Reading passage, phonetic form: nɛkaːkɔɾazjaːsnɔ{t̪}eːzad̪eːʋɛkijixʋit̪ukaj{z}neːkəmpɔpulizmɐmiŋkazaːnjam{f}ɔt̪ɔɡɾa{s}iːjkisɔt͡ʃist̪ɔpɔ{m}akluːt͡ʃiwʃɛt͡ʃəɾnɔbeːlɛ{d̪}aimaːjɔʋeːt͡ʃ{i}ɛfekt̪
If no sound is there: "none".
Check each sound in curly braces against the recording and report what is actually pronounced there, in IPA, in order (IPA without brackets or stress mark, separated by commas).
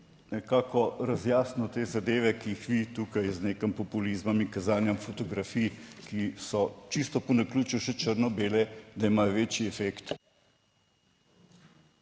t̪, z, f, f, n, d̪, i